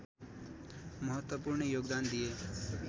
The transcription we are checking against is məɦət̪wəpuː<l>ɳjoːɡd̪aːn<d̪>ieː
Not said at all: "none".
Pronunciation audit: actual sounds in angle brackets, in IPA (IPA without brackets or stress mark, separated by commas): ɾ, d̪